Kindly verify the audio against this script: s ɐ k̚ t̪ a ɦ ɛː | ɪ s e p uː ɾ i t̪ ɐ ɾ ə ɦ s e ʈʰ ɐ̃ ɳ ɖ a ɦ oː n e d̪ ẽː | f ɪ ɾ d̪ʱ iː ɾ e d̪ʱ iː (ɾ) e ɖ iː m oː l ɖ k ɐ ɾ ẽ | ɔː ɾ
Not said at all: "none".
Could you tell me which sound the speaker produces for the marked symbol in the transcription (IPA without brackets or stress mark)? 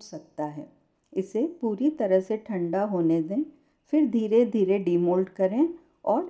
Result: ɾ